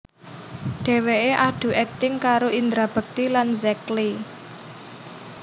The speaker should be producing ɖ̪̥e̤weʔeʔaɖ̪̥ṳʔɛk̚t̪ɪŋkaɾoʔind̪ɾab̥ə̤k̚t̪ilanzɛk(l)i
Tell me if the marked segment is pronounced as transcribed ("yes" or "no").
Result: yes